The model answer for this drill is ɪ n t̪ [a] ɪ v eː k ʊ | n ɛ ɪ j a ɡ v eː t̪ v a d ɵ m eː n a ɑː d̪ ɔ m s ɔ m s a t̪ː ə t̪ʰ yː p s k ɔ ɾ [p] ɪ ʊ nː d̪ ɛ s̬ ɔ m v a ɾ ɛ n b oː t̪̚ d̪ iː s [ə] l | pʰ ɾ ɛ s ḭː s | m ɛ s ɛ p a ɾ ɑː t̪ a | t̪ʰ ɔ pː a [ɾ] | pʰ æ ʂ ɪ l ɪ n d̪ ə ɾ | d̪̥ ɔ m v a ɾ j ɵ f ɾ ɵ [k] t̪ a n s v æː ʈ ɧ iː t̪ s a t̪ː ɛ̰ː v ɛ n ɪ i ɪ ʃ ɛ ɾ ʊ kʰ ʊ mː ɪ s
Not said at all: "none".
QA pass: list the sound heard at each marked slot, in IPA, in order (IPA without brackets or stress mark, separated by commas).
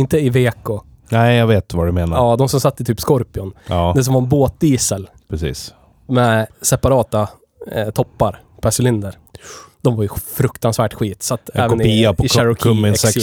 ə, p, ə, ɾ, k